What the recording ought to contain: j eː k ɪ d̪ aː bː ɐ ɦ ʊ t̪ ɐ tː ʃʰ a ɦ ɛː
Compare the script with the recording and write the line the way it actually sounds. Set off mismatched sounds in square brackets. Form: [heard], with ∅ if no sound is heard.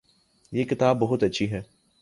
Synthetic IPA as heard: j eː k ɪ [t̪] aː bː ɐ ɦ ʊ t̪ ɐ tː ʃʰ [i] ɦ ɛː